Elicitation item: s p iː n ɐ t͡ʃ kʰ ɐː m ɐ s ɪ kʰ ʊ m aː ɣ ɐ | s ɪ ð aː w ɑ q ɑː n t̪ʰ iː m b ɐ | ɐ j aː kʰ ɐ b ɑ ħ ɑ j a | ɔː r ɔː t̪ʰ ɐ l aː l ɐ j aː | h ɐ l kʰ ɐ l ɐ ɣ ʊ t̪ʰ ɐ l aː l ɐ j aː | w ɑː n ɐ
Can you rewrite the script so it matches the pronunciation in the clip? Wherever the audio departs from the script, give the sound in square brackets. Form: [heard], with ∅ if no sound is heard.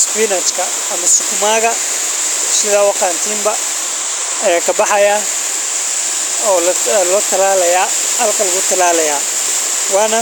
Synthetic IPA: s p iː n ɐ t͡ʃ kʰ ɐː m ɐ s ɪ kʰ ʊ m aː ɣ ɐ | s ɪ ð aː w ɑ q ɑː n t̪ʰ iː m b ɐ | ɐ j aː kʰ ɐ b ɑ ħ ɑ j a | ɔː [l] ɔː t̪ʰ ɐ l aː l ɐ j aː | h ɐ l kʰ ɐ l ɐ ɣ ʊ t̪ʰ ɐ l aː l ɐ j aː | w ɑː n ɐ